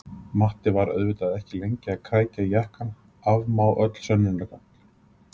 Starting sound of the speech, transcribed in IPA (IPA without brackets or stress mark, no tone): m